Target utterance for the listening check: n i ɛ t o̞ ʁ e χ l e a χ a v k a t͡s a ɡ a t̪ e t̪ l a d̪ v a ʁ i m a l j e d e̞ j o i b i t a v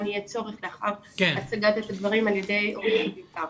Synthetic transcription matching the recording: n i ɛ t͡s o̞ ʁ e χ l e a χ a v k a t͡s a ɡ a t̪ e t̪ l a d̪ v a ʁ i m a l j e d e̞ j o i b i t a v